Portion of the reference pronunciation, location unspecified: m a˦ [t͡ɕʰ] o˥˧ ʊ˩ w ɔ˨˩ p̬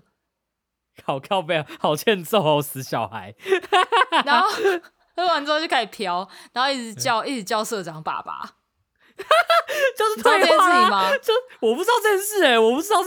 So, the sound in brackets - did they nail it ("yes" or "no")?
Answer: no